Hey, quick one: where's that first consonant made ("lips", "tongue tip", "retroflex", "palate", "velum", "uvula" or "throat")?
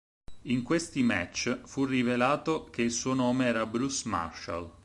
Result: velum